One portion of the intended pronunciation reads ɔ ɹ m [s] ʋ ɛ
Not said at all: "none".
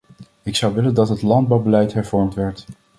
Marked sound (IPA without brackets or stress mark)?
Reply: t